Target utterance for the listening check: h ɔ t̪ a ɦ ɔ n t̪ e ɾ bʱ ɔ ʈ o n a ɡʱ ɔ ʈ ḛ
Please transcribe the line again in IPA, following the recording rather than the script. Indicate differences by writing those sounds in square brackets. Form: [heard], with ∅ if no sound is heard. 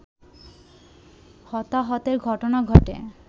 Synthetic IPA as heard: h ɔ t̪ a ɦ ɔ [∅] t̪ e ɾ [ɡʱ] ɔ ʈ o n a ɡʱ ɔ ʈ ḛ